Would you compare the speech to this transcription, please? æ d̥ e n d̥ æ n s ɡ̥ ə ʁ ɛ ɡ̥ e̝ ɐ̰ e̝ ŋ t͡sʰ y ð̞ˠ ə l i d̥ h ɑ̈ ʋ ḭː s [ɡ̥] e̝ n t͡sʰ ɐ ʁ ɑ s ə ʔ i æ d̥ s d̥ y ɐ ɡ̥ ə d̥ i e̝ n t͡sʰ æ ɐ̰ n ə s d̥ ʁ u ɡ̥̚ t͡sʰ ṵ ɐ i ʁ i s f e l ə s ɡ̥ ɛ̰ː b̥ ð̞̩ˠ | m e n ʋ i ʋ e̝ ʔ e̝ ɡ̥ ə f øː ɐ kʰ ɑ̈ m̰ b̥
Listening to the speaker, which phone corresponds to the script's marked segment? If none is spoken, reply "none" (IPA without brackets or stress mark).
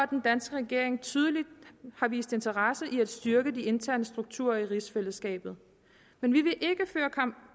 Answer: d̥